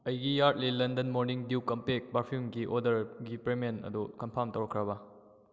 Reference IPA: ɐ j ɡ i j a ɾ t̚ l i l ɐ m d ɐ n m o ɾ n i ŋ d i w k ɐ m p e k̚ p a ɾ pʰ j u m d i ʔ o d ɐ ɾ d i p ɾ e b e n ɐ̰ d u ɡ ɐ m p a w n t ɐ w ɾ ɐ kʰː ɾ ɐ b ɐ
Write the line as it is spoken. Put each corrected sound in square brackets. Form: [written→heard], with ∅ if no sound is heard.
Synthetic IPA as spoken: ɐ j ɡ i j a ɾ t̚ l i l ɐ [m→n] d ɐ n m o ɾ n i ŋ d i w k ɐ m p e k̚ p a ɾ pʰ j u m [d→ɡ] i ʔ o d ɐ ɾ [d→ɡ] i p ɾ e [b→m] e n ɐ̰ d u [ɡ→k] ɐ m [p→pʰ] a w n t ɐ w ɾ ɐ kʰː ɾ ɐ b ɐ